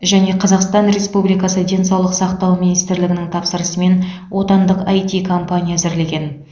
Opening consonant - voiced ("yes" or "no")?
yes